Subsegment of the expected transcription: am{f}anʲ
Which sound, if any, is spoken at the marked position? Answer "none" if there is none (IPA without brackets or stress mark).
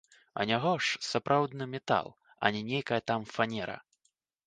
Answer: f